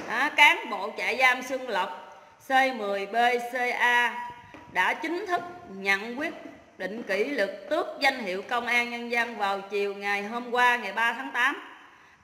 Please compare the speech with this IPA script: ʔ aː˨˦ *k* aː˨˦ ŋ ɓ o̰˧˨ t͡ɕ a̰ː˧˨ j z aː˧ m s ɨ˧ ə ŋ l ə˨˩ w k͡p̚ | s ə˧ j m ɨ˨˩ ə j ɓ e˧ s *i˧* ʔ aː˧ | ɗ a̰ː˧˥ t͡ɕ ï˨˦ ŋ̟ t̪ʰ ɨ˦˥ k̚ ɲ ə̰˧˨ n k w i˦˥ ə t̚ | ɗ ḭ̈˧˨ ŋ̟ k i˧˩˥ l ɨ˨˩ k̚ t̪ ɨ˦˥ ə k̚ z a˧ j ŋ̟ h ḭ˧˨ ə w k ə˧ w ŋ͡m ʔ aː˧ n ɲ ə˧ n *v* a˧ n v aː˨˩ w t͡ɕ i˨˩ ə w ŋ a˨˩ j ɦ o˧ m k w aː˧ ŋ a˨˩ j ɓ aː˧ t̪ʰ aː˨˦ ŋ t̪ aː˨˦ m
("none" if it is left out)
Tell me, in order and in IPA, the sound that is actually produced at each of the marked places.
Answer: k, e˧, z

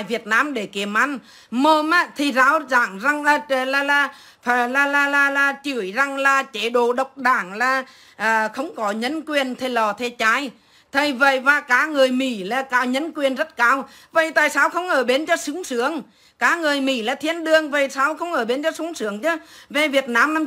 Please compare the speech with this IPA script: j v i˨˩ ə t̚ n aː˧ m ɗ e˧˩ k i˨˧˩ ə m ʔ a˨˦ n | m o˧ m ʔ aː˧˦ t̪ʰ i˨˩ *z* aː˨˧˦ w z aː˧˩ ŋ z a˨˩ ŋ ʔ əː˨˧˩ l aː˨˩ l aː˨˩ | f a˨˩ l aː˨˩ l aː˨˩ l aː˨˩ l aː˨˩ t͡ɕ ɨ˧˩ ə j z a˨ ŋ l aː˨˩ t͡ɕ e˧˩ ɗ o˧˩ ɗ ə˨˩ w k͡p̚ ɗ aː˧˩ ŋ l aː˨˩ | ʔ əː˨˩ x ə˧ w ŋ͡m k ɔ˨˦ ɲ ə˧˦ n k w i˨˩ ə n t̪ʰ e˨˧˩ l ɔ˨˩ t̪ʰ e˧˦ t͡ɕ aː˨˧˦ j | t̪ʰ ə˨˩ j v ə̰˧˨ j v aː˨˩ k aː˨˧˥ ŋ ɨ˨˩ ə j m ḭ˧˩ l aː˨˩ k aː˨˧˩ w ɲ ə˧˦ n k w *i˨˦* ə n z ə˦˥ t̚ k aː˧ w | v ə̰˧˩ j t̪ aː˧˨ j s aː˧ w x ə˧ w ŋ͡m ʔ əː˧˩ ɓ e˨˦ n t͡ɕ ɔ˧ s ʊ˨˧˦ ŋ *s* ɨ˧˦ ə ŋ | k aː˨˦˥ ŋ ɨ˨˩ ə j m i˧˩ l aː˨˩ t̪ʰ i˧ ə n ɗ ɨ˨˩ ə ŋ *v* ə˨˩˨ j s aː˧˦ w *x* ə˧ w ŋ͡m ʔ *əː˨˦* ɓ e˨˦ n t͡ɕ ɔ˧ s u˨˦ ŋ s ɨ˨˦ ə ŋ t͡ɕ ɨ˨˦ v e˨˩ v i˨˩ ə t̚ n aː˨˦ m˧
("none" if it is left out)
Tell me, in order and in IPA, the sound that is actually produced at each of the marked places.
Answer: z, i˨˩, s, v, x, əː˧˩

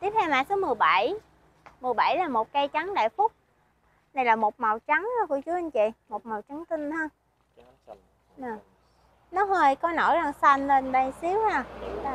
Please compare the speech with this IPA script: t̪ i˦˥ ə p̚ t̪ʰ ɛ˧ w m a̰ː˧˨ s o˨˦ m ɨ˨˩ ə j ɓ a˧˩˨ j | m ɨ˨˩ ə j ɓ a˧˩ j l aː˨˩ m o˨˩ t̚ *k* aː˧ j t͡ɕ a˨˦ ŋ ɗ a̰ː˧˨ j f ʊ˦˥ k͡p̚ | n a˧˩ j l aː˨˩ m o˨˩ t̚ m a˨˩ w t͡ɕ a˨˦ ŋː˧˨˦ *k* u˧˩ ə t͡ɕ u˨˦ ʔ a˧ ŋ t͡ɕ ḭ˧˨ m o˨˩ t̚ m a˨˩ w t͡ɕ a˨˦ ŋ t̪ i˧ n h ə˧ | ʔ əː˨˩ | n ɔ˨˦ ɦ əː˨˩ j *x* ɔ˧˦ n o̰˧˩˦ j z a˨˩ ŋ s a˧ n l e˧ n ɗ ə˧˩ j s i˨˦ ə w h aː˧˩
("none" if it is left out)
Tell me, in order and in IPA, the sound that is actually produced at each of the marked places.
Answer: k, k, k

